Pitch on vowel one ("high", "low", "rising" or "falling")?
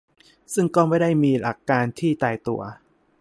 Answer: falling